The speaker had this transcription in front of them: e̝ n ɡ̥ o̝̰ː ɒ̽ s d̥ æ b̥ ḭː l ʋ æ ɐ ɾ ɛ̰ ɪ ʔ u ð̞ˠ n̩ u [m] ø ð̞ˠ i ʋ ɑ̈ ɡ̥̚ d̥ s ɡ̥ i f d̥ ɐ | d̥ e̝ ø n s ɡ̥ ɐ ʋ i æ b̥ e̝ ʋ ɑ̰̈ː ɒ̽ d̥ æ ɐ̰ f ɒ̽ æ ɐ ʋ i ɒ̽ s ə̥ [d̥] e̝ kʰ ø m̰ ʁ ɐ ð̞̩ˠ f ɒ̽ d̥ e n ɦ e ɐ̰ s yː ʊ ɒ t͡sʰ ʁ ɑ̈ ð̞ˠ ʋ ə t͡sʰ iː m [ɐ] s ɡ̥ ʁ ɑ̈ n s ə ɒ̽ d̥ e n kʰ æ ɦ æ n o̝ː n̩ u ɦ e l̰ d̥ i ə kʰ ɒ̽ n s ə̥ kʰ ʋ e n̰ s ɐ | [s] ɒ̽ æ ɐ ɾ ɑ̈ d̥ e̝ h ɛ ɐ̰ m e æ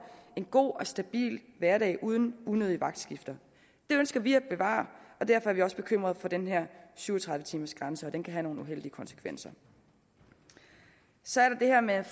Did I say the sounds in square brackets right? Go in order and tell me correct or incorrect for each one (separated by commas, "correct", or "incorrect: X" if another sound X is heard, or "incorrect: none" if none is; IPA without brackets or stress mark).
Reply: incorrect: n, incorrect: b̥, correct, correct